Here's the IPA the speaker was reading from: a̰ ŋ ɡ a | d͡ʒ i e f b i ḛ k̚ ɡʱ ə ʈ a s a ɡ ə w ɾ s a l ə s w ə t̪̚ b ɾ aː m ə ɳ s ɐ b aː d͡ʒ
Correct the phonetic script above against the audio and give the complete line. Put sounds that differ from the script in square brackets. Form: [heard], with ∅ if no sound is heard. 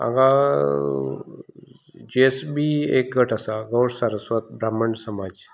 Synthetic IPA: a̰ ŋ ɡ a | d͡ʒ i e [s] b i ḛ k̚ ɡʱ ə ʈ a s a ɡ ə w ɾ s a [ɾ] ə s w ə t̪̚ b ɾ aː m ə ɳ s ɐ [m] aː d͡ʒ